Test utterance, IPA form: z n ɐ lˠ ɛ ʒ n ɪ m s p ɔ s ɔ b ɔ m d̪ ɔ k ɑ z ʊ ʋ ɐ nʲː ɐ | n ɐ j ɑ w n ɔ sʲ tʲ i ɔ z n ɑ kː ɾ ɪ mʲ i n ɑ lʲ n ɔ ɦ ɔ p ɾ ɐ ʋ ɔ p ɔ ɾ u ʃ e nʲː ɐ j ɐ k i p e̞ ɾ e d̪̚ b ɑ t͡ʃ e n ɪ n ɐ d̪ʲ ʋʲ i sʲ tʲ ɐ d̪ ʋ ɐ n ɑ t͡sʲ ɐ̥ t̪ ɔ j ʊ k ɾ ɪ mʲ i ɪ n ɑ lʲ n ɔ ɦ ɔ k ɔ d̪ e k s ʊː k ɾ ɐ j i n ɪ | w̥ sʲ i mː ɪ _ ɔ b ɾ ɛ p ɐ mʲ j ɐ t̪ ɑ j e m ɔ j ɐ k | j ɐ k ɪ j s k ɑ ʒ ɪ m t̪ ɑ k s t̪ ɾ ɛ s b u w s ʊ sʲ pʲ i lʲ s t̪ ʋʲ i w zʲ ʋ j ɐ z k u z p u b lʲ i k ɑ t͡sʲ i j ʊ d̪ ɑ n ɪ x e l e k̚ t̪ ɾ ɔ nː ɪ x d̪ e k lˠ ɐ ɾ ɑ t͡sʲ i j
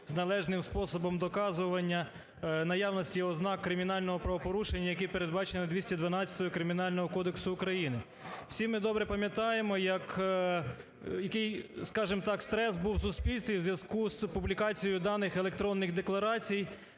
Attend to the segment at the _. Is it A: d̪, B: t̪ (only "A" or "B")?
A